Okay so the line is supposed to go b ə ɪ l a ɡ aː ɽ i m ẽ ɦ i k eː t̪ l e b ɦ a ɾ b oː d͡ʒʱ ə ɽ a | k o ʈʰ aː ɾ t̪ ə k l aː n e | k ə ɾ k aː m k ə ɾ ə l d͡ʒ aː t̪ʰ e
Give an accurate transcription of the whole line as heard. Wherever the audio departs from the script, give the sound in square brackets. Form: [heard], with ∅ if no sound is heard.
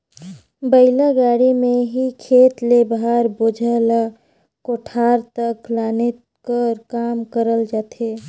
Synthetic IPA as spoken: b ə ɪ l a ɡ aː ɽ i m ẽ ɦ i [kʰ] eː t̪ l e b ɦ a ɾ b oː d͡ʒʱ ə [l] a | k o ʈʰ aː ɾ t̪ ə k l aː n e | k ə ɾ k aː m k ə ɾ ə l d͡ʒ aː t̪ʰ e

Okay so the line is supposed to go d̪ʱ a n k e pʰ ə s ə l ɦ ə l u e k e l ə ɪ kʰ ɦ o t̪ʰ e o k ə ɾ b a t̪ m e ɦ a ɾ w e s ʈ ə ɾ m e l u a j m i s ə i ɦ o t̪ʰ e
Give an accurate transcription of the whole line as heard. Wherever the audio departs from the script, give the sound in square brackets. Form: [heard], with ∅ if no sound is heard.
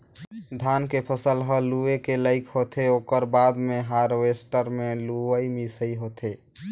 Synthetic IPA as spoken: d̪ʱ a n k e pʰ ə s ə l ɦ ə l u e k e l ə ɪ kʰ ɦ o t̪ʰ e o k ə ɾ b a [d̪] m e ɦ a ɾ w e s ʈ ə ɾ m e l u [ə] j m i s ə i ɦ o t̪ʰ e

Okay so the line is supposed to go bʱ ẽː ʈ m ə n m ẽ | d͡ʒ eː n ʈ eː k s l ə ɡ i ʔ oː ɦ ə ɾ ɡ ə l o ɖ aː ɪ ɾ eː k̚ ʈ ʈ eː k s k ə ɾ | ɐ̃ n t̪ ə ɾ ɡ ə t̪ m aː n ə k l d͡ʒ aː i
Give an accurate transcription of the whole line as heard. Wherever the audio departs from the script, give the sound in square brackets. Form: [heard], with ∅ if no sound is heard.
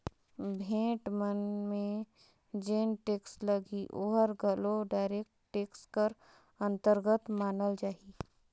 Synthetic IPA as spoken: bʱ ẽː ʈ m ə n m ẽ | d͡ʒ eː n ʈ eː k s l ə ɡ i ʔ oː ɦ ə ɾ ɡ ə l o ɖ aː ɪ ɾ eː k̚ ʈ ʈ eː k s k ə ɾ | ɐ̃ n t̪ ə ɾ ɡ ə t̪ m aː n ə [∅] l d͡ʒ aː i

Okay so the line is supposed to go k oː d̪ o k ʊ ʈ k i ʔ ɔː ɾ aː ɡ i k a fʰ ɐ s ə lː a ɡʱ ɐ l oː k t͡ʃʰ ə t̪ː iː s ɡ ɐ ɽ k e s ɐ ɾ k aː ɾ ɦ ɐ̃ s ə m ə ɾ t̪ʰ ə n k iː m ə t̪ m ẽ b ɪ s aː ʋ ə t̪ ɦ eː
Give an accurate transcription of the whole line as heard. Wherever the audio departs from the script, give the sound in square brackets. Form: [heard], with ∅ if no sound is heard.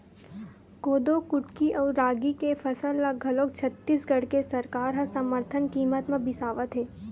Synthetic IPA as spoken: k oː d̪ o k ʊ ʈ k i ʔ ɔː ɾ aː ɡ i k [e] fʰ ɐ s ə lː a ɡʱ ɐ l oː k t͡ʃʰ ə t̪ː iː s ɡ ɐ ɽ k e s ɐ ɾ k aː ɾ ɦ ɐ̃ s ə m ə ɾ t̪ʰ ə n k iː m ə t̪ m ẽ b ɪ s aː ʋ ə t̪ ɦ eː

